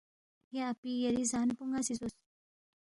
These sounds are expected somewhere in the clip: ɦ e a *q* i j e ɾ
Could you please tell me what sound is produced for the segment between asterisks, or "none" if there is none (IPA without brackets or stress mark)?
p